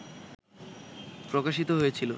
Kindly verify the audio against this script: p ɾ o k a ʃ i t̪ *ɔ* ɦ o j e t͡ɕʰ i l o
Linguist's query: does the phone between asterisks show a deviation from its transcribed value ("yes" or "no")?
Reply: yes